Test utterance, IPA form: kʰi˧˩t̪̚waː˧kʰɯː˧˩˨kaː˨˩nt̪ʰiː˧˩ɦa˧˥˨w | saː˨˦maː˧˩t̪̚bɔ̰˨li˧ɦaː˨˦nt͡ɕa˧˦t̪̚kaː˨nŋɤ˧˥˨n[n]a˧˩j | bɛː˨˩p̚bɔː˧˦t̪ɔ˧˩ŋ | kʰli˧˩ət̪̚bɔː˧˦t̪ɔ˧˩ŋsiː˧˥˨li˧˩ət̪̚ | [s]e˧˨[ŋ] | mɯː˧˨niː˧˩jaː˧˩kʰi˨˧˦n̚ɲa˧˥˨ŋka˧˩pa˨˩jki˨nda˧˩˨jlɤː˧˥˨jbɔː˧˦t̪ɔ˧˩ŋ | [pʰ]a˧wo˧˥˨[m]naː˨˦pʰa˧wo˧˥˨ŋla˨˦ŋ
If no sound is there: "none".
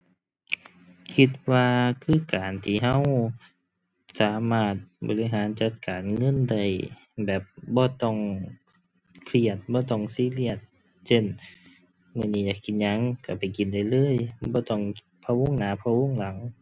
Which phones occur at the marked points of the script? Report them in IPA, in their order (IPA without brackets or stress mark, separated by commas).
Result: d, s, n, pʰ, ŋ